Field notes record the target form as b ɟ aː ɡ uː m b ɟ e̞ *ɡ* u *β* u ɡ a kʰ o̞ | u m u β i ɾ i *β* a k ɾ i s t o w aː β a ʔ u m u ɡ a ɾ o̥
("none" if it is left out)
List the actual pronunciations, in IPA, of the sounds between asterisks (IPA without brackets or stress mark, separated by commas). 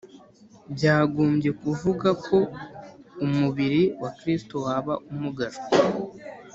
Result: k, v, w